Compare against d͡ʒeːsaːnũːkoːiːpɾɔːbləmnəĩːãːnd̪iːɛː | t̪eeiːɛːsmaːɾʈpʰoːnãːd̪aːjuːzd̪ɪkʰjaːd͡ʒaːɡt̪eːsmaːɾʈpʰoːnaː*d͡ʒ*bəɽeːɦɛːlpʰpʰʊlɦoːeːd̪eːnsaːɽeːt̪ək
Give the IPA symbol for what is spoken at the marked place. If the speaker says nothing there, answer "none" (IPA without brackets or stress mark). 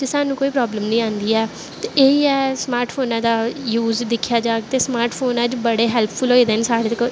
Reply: d͡ʒ